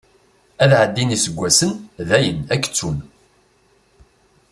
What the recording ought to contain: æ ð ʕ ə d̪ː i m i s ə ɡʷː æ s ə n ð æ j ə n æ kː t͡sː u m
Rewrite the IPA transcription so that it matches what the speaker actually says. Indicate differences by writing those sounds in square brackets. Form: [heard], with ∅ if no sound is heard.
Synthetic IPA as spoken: æ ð ʕ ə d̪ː i [n] i s ə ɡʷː æ s ə n ð æ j ə n æ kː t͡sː u [n]